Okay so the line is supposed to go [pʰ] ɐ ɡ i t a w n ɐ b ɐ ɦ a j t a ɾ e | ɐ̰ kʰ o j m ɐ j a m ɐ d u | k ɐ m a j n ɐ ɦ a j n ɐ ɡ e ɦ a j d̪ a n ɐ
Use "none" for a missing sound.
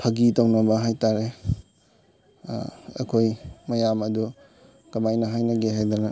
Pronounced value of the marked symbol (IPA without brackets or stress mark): pʰ